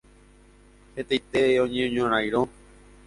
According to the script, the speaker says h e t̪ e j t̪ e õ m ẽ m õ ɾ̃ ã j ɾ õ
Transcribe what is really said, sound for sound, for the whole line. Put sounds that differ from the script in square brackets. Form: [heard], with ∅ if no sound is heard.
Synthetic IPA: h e t̪ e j t̪ e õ [ɲ] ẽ [ɲ] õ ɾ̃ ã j ɾ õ